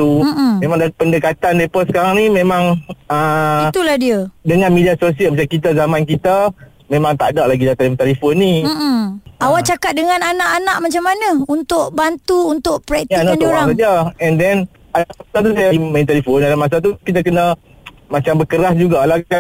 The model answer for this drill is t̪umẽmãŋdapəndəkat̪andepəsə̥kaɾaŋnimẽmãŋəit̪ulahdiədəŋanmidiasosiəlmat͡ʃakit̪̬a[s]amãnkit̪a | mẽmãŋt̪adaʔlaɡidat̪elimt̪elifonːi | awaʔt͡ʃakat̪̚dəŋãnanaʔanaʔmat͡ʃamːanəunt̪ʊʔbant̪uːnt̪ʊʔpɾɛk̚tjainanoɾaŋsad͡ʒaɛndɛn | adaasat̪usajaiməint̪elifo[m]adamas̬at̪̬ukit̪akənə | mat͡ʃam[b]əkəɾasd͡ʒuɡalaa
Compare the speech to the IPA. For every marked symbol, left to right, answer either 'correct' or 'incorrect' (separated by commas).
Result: incorrect, incorrect, correct